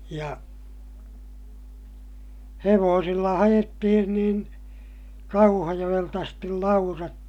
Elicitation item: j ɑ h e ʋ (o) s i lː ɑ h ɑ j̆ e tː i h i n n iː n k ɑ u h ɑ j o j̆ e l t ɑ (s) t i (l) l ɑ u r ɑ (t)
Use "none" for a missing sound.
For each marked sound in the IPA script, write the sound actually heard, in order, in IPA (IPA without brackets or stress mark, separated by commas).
oː, s, l, t